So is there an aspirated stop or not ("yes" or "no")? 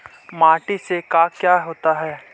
no